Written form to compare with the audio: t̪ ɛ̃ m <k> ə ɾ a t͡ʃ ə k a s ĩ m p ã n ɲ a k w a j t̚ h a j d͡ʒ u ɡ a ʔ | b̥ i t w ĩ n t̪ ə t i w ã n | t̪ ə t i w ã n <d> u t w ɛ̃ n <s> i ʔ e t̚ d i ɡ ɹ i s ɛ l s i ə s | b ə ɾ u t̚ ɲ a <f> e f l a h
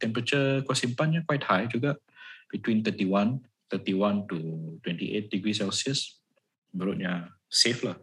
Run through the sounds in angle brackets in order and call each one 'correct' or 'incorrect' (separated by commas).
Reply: incorrect, incorrect, incorrect, incorrect